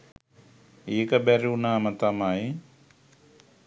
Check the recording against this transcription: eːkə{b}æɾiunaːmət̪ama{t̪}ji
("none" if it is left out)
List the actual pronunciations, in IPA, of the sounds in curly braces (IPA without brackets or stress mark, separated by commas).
b, none